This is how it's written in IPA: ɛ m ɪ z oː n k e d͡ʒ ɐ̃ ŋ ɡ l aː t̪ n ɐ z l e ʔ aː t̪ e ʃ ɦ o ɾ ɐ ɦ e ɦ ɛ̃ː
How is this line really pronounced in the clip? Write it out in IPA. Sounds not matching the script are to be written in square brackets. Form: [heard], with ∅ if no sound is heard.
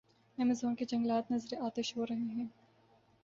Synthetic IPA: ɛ m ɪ z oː n k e d͡ʒ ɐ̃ ŋ ɡ l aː t̪ n ɐ z [ɾ] e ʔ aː t̪ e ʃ ɦ o ɾ ɐ ɦ e ɦ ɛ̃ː